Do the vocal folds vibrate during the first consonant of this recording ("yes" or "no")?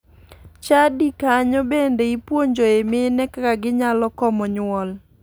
no